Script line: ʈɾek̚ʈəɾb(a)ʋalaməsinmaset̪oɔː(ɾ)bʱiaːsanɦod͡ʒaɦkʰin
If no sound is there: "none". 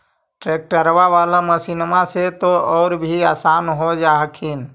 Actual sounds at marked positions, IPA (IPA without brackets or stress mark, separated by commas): a, ɾ